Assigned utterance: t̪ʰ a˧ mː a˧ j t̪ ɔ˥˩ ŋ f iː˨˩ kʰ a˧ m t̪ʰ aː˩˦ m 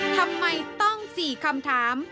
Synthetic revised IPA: t̪ʰ a˧ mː a˧ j t̪ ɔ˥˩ ŋ s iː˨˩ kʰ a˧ m t̪ʰ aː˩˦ m